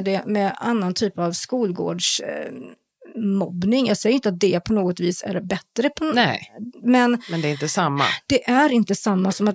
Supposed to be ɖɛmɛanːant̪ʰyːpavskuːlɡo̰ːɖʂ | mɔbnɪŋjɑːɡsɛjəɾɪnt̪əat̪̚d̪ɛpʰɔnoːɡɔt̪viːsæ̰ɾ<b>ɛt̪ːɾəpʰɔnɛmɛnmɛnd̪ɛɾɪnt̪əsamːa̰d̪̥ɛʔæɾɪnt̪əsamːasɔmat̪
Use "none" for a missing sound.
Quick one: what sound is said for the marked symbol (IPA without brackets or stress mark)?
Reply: b